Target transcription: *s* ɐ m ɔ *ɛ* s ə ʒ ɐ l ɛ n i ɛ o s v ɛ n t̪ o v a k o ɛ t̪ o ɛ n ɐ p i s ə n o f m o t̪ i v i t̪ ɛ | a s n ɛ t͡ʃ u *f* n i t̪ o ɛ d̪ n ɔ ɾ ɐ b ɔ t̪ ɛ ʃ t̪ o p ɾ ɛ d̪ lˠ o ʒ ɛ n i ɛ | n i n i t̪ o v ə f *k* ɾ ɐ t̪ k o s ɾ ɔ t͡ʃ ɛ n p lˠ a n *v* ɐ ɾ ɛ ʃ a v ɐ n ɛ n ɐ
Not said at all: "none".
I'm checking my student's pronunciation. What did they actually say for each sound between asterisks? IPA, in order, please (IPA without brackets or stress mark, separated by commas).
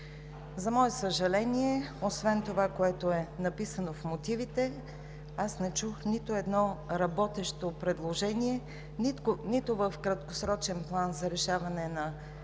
z, ɛ, x, k, z